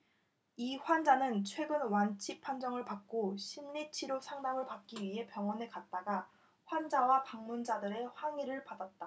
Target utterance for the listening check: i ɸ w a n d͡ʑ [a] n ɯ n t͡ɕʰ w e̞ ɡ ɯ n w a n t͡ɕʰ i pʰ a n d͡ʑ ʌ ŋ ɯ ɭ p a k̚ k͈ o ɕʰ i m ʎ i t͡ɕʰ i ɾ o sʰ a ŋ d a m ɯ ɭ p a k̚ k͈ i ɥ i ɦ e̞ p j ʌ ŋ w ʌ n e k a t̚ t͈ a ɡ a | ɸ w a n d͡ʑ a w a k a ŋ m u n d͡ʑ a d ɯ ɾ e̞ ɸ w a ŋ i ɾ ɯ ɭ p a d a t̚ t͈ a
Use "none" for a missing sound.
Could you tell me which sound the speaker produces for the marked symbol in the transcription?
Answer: a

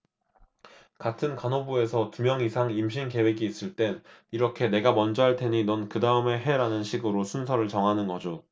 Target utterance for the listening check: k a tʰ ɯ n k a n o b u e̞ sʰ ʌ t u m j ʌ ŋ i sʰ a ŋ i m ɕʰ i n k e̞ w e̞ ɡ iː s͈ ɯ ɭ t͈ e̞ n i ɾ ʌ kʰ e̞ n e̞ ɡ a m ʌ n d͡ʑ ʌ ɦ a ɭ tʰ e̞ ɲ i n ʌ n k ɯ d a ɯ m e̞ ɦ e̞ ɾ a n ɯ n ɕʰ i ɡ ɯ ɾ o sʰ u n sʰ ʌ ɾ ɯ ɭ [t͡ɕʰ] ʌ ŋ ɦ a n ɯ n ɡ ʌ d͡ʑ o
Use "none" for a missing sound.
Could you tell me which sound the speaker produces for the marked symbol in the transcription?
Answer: t͡ɕ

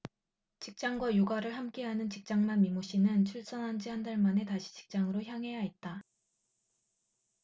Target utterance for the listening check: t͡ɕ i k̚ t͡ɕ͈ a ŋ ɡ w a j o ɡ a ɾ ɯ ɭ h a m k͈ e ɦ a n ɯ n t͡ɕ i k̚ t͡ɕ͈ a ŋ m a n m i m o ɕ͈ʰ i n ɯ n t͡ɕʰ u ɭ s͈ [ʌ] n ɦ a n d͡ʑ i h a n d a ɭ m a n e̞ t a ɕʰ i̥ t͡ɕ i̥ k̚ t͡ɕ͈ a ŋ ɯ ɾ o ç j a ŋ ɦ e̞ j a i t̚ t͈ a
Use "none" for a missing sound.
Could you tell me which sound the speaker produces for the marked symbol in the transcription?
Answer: ʌ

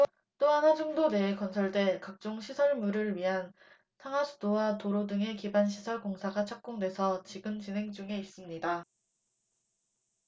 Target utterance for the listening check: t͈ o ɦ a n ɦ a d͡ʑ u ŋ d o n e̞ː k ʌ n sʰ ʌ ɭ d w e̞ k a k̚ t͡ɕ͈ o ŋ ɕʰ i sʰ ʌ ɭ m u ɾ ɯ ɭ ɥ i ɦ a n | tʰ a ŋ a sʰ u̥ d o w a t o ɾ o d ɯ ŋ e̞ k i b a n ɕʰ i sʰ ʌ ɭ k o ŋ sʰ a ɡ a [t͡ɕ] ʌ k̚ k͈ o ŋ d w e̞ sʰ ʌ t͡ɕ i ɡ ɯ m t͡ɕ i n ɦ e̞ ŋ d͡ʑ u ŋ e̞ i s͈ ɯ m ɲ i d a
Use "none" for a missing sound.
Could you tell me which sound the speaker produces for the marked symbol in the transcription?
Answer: t͡ɕʰ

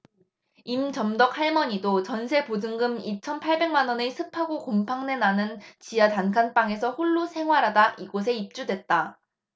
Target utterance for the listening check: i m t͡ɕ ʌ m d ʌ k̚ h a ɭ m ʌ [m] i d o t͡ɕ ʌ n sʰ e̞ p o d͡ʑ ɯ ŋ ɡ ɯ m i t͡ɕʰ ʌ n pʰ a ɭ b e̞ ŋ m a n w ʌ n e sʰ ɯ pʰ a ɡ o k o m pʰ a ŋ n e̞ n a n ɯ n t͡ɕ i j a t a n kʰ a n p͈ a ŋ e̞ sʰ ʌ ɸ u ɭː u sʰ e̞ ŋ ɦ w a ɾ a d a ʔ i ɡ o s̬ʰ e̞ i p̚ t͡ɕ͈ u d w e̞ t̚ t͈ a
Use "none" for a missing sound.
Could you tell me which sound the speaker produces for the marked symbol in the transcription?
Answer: ɲ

